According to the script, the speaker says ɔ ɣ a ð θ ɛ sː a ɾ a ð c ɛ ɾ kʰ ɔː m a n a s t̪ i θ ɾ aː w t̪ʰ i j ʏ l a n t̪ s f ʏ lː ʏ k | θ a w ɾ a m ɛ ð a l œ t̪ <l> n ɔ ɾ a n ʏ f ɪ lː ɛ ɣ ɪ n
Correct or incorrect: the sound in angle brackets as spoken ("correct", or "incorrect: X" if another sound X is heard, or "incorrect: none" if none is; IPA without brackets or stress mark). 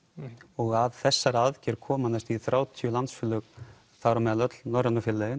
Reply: correct